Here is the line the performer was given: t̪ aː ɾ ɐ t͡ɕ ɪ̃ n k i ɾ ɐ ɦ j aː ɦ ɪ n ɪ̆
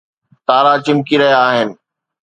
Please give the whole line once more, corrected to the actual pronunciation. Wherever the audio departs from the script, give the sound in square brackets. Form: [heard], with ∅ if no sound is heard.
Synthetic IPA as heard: t̪ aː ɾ [a] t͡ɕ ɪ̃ [m] k i ɾ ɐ ɦ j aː ɦ ɪ n ɪ̆